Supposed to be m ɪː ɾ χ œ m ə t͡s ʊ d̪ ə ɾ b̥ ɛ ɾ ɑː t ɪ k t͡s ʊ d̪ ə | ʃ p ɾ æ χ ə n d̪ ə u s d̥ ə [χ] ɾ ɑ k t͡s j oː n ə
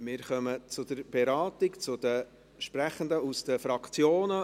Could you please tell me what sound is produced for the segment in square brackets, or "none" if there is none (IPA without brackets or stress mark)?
f